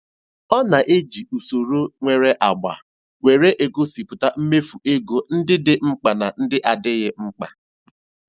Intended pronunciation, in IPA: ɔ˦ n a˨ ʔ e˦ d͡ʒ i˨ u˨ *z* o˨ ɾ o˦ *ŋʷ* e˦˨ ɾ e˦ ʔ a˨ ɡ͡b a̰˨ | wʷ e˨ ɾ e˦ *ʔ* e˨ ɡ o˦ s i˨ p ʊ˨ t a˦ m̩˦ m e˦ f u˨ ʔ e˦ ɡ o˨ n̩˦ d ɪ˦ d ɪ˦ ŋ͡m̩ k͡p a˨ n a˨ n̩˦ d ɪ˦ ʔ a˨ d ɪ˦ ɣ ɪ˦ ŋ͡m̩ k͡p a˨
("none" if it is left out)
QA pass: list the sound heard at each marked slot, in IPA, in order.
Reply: s, ŋʷ, ʔ

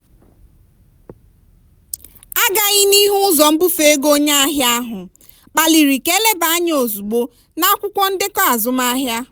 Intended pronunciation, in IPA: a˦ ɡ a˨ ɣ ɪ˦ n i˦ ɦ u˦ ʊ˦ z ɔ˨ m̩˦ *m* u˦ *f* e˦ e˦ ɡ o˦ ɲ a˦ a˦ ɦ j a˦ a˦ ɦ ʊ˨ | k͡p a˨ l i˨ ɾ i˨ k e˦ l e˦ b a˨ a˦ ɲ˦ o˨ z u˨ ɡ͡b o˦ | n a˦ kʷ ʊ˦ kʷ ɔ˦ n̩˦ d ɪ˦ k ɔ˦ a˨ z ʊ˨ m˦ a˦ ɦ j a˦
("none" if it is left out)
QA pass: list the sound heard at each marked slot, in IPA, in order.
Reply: b, f

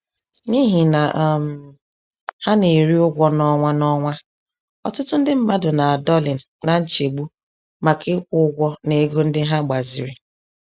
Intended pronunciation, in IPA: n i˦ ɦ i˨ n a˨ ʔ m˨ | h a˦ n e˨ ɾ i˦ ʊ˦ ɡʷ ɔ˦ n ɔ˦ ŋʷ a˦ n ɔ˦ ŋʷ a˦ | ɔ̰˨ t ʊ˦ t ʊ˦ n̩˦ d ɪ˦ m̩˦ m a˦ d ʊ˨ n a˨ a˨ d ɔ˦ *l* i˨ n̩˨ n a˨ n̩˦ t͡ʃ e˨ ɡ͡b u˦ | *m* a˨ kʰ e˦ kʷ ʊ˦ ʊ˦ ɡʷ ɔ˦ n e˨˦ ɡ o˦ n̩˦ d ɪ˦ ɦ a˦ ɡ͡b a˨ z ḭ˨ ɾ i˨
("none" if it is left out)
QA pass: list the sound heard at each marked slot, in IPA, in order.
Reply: l, m

